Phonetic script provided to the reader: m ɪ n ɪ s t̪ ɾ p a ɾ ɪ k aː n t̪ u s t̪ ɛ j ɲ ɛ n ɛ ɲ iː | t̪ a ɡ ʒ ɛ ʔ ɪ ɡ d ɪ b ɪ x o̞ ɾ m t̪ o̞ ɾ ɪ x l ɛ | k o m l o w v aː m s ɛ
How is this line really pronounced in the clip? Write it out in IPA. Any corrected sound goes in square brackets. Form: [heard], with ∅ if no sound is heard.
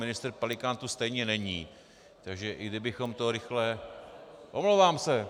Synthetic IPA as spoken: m ɪ n ɪ s t̪ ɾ p a [l] ɪ k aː n t̪ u s t̪ ɛ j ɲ ɛ n ɛ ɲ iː | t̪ a ɡ ʒ ɛ ʔ ɪ ɡ d ɪ b ɪ x o̞ [∅] m t̪ o̞ ɾ ɪ x l ɛ | [ʔ] o m l o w v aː m s ɛ